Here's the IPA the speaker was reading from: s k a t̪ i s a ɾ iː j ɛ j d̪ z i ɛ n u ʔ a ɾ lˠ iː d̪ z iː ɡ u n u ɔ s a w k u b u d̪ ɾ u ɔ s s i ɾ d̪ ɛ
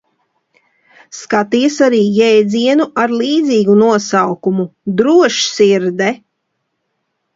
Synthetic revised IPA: s k a t̪ i s a ɾ iː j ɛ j d̪ z i ɛ n u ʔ a ɾ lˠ iː d̪ z iː ɡ u n u ɔ s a w k u m u d̪ ɾ u ɔ ʃ s i ɾ d̪ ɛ

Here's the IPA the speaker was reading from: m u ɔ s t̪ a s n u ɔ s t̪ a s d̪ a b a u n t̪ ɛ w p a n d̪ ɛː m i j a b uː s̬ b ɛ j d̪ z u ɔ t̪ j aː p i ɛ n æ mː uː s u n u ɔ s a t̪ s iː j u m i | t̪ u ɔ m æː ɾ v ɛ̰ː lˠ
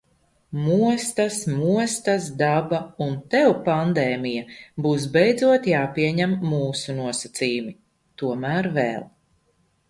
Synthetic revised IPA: m u ɔ s t̪ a s m u ɔ s t̪ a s d̪ a b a u n t̪ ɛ w p a n d̪ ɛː m i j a b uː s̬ b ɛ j d̪ z u ɔ t̪ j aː p i ɛ ɲ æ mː uː s u n u ɔ s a t̪ s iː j u m i | t̪ u ɔ m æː ɾ v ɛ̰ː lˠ

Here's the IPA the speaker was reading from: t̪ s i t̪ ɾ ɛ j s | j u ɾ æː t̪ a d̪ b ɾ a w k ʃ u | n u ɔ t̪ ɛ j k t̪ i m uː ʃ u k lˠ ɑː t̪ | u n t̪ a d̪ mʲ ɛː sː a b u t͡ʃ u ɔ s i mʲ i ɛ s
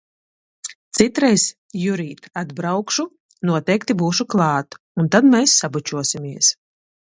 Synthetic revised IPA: t̪ s i t̪ ɾ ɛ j s | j u ɾ iː t̪ a d̪ b ɾ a w k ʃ u | n u ɔ t̪ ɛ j k t̪ i b uː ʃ u k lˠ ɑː t̪ | u n t̪ a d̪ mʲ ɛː sː a b u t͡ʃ u ɔ s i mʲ i ɛ s

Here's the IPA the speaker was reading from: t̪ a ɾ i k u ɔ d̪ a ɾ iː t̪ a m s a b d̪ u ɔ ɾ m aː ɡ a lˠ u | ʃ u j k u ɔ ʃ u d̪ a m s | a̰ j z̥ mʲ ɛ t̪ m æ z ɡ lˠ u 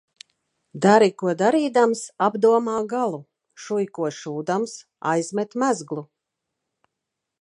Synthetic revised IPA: d̪ a ɾ i k u ɔ d̪ a ɾ iː d̪ a m s a b d̪ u ɔ m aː ɡ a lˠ u | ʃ u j k u ɔ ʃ uː d̪ a m s | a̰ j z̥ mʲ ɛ t̪ m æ z ɡ lˠ u

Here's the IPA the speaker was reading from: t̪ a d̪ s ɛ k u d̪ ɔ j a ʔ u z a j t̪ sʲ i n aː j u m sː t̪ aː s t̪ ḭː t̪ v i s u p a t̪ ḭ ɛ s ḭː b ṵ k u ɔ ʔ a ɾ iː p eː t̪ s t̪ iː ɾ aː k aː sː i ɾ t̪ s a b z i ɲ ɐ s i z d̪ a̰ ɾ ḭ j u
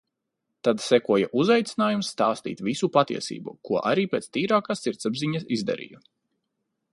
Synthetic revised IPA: t̪ a d̪ s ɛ k u ɔ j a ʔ u z a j t̪ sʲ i n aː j u m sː t̪ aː s t̪ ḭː t̪ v i s u p a t̪ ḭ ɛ s ḭː b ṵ k u ɔ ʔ a ɾ iː p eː t̪ s t̪ iː ɾ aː k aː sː i ɾ t̪ s a b z i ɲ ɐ s i z d̪ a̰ ɾ ḭ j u

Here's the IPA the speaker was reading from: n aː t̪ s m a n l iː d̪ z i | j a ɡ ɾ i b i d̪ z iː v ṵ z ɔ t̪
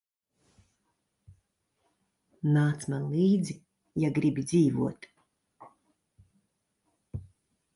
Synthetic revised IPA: n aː t̪ s m a n l iː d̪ z i | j a ɡ ɾ i b i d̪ z iː v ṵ ɔ t̪

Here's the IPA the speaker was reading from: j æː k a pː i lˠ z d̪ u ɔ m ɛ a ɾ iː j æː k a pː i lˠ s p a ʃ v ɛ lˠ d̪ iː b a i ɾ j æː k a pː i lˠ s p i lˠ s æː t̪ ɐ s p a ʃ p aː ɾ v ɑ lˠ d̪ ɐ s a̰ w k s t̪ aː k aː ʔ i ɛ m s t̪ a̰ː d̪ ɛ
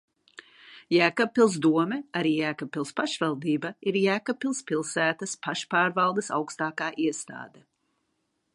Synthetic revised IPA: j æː k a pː i lˠ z d̪ u ɔ m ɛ a ɾ iː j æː k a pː i lˠ s p a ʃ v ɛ lˠ d̪ iː b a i ɾ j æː k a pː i lˠ s p i lˠ s æː t̪ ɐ s p a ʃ p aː ɾ v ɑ lˠ d̪ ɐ s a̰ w k s t̪ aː k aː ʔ i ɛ s t̪ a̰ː d̪ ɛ

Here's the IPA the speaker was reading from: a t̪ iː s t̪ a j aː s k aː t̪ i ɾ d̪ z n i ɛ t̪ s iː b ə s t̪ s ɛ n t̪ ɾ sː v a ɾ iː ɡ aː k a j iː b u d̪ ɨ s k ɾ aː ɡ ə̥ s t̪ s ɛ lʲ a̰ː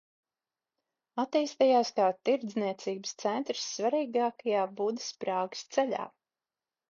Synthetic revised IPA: a t̪ iː s t̪ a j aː s k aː t̪ i ɾ d̪ z n i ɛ t̪ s iː b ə s t̪ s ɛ n t̪ ɾ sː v a ɾ iː ɡ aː k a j aː b u d̪ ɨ s p ɾ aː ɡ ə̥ s t̪ s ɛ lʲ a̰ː

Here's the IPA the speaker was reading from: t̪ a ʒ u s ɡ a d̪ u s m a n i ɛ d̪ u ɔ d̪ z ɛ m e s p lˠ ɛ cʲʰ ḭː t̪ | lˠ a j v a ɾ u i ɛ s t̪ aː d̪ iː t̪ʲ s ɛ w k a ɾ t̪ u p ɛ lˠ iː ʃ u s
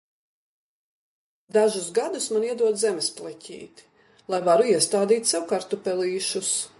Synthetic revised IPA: d̪ a ʒ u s ɡ a d̪ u s m a n i ɛ d̪ u ɔ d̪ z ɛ m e s p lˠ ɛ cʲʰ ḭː t̪ | lˠ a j v a ɾ u i ɛ s t̪ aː d̪ iː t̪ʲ s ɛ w k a ɾ t̪ u p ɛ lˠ iː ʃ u s

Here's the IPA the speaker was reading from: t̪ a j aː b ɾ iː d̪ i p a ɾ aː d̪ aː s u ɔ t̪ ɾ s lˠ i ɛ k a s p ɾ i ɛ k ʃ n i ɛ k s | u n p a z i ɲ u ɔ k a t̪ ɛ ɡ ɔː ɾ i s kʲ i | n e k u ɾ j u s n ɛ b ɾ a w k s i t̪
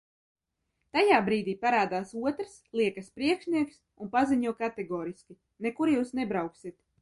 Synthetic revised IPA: t̪ a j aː b ɾ iː d̪ iː p a ɾ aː d̪ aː s u ɔ t̪ ɾ s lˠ i ɛ k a s p ɾ i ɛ k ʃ n i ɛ k s | u n p a z i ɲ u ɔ k a t̪ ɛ ɡ ɔː ɾ i s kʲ i | n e k u ɾ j uː s n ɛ b ɾ a w k s i t̪

